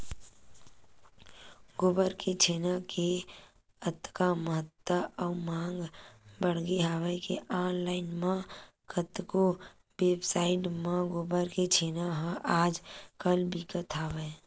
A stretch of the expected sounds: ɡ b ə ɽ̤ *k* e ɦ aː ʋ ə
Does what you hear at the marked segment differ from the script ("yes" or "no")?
yes